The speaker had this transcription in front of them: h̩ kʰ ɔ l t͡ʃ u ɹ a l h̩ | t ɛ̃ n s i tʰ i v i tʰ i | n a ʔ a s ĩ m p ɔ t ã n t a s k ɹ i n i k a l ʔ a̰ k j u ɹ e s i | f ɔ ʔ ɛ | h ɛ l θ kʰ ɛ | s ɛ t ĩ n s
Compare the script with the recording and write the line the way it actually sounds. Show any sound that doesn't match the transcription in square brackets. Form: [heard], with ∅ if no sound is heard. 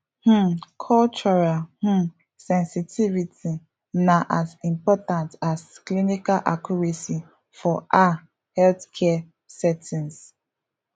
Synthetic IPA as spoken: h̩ kʰ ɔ l t͡ʃ [ɔ] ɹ a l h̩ | [s] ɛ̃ n s i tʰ i v i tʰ i | n a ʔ a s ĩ m p ɔ t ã n t a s k [l] i n i k a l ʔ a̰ k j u ɹ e s i | f ɔ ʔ [a] | h ɛ l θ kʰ ɛ | s ɛ t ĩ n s